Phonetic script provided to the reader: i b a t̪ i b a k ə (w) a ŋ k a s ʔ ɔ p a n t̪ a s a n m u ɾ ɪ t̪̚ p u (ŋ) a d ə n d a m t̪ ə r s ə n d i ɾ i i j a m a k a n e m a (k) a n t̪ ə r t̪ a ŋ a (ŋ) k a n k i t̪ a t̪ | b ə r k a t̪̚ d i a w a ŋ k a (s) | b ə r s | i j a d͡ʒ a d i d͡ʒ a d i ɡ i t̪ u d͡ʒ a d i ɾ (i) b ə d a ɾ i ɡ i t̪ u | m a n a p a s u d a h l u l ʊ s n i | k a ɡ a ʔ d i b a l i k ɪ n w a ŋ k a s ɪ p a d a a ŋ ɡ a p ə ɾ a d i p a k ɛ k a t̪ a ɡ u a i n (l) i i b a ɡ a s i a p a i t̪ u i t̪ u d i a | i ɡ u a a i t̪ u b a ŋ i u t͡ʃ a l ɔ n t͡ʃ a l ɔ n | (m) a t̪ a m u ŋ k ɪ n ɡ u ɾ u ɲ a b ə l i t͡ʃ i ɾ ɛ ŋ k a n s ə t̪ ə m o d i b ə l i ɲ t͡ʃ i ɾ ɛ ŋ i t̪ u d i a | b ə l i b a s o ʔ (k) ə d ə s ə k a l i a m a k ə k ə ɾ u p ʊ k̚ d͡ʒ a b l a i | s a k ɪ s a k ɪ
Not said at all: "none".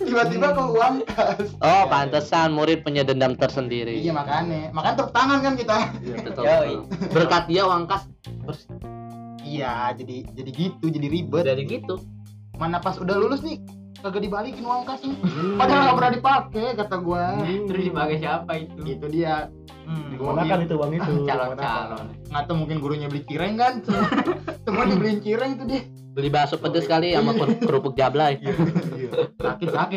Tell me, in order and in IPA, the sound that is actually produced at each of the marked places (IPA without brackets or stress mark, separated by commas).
w, ɲ, k, n, s, i, ɾ, ŋ, p